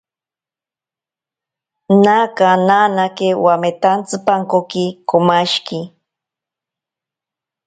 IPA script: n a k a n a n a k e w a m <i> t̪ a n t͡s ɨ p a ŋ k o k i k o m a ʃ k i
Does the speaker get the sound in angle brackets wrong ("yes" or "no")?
yes